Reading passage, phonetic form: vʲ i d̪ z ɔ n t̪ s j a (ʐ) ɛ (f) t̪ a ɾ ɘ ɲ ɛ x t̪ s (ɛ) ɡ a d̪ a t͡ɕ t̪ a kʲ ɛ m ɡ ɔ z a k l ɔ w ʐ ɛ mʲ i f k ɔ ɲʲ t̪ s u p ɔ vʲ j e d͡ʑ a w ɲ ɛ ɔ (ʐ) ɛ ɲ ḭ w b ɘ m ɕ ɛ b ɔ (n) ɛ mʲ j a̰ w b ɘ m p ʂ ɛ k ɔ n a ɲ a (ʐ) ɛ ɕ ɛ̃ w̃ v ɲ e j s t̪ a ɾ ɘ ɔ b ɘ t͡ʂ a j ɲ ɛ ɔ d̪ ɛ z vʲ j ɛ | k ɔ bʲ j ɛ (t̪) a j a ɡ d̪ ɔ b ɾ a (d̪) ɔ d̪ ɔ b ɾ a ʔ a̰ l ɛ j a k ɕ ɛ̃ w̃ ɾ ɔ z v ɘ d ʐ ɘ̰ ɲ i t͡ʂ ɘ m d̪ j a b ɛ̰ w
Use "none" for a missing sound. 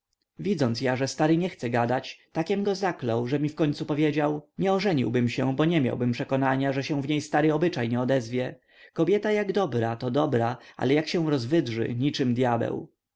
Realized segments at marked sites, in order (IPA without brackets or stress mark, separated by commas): ʐ, s, ɛ, ʐ, ɲ, ʐ, t̪, t̪